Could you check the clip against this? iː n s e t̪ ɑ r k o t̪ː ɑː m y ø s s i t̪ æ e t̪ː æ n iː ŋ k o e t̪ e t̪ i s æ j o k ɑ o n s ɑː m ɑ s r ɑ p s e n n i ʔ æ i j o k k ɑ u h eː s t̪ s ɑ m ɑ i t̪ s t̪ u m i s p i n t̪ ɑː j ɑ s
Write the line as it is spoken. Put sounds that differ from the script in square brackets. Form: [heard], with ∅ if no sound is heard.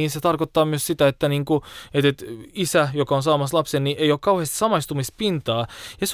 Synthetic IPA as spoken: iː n s e t̪ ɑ r k o t̪ː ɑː m y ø s s i t̪ æ e t̪ː æ n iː ŋ k [u] e t̪ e t̪ i s æ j o k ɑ o n s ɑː m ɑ s [l] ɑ p s e n n i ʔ [e] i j o k k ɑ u h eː s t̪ s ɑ m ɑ i [∅] s t̪ u m i s p i n t̪ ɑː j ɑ s